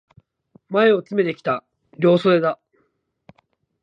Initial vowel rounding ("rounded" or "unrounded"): unrounded